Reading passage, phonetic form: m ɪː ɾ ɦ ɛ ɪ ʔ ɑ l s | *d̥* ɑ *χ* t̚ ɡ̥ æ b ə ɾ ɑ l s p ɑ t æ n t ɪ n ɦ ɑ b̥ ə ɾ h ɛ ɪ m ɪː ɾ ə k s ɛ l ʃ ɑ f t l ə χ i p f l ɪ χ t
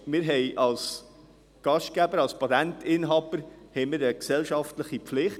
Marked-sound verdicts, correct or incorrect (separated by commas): incorrect, incorrect